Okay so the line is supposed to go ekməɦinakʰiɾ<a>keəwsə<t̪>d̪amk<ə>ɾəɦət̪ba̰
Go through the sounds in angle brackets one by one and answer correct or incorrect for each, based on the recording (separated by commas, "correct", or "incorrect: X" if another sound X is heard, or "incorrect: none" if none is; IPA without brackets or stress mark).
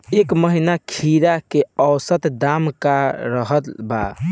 correct, correct, incorrect: a